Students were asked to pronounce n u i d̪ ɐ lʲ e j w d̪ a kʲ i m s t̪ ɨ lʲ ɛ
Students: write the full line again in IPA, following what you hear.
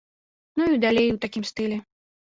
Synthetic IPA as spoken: n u i d̪ a lʲ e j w t̪ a kʲ i m s t̪ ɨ lʲ ɛ